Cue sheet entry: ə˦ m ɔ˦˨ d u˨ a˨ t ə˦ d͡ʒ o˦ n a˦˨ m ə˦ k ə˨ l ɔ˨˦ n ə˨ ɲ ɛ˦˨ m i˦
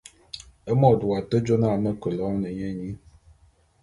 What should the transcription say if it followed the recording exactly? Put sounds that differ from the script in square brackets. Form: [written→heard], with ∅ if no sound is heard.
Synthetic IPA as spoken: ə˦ m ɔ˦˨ d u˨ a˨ t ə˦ d͡ʒ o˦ n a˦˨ m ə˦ k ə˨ l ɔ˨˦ n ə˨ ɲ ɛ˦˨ [m→ɲ] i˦